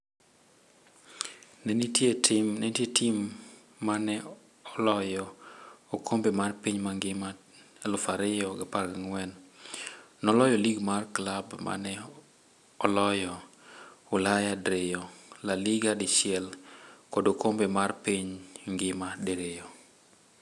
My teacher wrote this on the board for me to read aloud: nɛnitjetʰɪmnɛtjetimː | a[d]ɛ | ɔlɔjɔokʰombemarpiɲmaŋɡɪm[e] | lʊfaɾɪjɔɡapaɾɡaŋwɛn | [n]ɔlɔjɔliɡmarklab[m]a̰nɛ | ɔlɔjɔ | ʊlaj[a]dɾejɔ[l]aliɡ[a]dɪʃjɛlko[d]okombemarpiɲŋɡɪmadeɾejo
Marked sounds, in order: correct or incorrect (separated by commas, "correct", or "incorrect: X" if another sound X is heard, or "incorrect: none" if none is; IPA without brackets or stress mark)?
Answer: incorrect: n, incorrect: a, correct, correct, correct, correct, correct, correct